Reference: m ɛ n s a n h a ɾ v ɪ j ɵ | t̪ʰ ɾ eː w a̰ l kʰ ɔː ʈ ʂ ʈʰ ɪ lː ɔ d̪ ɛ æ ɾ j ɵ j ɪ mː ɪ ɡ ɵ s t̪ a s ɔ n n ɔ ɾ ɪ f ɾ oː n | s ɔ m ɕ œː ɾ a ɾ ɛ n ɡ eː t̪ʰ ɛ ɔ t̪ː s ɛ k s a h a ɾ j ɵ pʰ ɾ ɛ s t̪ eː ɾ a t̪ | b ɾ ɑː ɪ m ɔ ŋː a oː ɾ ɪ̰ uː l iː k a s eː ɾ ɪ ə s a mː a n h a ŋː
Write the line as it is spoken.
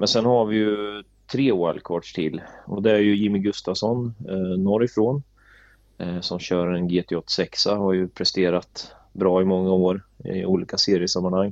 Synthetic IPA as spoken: m ɛ n s ɛ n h a ɾ v ɪ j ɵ | t̪ʰ ɾ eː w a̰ l kʰ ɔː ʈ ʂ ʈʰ ɪ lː ɔ d̪ ɛ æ ɾ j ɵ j ɪ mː ɪ ɡ ɵ s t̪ a s ɔ n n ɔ ɾ ɪ f ɾ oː n | s ɔ m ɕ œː ɾ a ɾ ɛ n ɡ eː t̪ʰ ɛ ɔ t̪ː s ɛ k s a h a ɾ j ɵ pʰ ɾ ɛ s t̪ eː ɾ a t̪ | b ɾ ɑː ɪ m ɔ ŋː a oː ɾ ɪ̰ uː l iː k a s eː ɾ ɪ ə s a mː a n h a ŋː